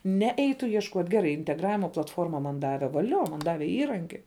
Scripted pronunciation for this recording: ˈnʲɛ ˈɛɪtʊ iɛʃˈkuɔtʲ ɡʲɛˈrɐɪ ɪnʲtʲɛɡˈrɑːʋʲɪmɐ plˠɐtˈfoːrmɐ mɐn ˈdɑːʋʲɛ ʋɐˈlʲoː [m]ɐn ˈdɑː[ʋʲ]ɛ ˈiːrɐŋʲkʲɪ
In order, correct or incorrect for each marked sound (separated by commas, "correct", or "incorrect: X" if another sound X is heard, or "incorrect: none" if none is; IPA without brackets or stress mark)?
correct, correct